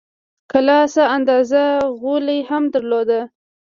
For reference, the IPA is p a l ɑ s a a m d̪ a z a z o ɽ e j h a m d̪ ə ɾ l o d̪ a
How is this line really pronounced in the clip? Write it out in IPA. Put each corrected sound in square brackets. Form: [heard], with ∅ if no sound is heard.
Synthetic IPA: [k] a l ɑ s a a [n] d̪ [ɑ] z a [ɣ] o [l] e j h a m d̪ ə ɾ l o d̪ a